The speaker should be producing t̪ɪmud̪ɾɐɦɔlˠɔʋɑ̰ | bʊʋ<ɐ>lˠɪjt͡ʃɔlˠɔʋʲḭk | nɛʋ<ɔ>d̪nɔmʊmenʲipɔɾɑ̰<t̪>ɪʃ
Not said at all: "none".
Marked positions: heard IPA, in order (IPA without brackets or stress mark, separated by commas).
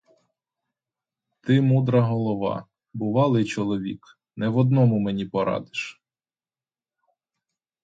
ɑ, ɔ, d̪